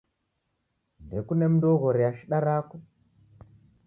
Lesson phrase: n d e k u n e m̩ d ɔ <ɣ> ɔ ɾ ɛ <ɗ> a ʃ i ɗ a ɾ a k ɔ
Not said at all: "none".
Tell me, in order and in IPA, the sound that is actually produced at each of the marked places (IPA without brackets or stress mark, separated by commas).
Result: ɣ, none